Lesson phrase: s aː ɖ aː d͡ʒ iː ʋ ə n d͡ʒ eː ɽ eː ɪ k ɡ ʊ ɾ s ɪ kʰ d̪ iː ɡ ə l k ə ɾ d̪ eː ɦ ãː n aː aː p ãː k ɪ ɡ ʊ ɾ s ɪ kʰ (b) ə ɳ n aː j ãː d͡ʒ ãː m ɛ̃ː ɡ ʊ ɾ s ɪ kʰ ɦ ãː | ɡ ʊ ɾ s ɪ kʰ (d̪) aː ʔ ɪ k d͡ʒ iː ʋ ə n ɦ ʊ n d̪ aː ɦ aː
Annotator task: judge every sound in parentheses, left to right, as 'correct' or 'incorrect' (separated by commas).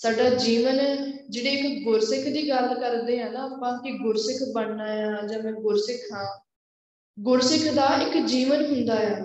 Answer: correct, correct